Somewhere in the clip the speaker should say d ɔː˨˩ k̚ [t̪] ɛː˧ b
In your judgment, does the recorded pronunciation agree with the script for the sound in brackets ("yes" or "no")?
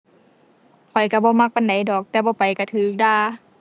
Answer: yes